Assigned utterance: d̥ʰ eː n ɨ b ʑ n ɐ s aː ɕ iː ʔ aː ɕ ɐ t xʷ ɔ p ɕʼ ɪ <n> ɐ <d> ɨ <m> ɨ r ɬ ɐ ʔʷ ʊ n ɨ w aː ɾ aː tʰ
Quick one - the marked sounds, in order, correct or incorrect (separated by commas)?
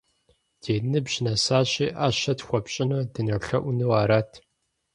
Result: correct, correct, incorrect